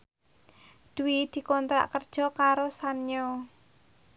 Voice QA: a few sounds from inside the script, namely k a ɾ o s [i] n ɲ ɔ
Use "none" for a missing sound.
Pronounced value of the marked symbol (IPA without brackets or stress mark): a